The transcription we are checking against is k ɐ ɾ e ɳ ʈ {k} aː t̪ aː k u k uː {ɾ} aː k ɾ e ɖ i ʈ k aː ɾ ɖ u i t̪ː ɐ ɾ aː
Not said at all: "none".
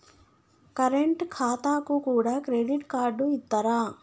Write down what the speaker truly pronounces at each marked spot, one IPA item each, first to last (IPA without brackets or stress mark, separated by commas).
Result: kʰ, ɽ